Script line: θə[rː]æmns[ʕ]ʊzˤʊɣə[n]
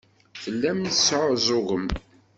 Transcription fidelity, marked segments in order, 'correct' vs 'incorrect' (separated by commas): incorrect, correct, incorrect